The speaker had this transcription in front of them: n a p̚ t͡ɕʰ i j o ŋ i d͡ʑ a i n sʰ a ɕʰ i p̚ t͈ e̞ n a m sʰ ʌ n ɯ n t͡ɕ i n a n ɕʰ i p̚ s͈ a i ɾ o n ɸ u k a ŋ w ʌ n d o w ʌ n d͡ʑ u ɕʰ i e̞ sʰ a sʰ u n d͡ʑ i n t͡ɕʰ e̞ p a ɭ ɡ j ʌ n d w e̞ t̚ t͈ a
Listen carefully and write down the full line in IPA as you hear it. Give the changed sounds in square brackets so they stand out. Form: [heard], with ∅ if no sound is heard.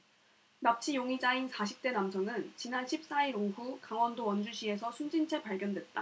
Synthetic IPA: n a p̚ t͡ɕʰ i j o ŋ i d͡ʑ a i n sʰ a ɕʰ i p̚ t͈ e̞ n a m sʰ ʌ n ɯ n t͡ɕ i n a n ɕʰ i p̚ s͈ a i ɾ o [ŋ] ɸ u k a ŋ w ʌ n d o w ʌ n d͡ʑ u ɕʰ i e̞ sʰ [ʌ] sʰ u n d͡ʑ i n t͡ɕʰ e̞ p a ɭ ɡ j ʌ n d w e̞ t̚ t͈ a